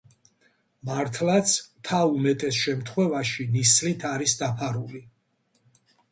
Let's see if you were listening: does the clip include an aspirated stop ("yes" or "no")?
yes